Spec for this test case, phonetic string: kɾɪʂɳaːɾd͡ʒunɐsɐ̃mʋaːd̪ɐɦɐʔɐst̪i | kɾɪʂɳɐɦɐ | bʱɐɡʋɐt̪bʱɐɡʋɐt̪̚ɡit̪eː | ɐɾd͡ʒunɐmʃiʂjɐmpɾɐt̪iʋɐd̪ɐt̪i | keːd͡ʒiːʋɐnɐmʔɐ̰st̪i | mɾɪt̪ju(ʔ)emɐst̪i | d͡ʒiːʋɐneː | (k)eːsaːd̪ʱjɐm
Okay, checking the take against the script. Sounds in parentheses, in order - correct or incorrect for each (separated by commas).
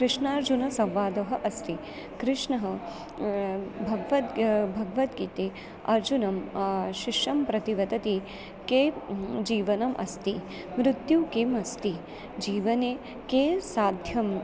incorrect, correct